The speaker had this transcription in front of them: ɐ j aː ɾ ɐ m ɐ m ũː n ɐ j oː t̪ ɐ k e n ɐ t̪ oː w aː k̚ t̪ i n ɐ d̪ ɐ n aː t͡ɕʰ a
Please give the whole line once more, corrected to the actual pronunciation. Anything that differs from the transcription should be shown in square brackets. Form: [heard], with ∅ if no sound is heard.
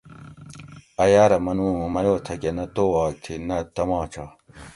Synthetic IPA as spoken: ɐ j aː ɾ ɐ m ɐ [n] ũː [m] ɐ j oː [t̪ʰ] ɐ k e n ɐ t̪ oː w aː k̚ [t̪ʰ] i n ɐ [t̪] ɐ [m] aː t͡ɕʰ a